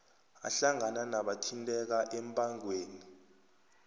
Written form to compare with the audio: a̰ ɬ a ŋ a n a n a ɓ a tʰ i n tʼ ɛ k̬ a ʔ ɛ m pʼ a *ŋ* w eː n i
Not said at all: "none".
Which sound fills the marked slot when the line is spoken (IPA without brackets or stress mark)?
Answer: ŋ